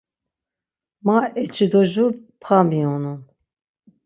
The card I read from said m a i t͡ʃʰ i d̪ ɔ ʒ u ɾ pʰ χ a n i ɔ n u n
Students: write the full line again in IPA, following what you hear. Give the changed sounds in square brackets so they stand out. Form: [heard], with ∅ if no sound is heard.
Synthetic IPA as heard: m a [ɛ] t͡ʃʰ i d̪ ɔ ʒ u ɾ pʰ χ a [m] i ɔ n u n